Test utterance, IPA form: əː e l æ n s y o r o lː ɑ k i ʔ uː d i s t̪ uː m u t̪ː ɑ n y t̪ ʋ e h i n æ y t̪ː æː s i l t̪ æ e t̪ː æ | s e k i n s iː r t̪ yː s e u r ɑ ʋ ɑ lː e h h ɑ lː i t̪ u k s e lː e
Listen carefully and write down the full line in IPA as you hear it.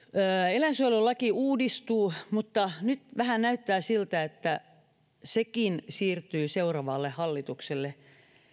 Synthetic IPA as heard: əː e l æ n s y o l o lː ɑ k i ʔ uː d i s t̪ uː m u t̪ː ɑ n y t̪ ʋ æ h æ n æ y t̪ː æː s i l t̪ æ e t̪ː æ | s e k i n s iː r t̪ yː s e u r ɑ ʋ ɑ lː e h h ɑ lː i t̪ u k s e lː e